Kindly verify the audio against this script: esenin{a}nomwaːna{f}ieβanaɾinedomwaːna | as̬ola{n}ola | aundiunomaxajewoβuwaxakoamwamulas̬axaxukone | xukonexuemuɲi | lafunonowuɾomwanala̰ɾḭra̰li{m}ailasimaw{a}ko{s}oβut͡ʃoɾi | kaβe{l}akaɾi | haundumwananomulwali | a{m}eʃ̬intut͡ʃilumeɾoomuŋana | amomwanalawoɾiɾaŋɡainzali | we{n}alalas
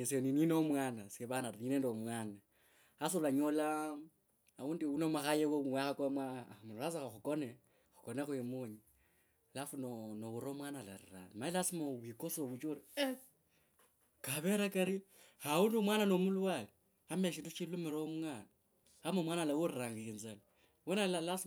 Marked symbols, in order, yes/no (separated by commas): no, no, no, yes, no, yes, no, yes, yes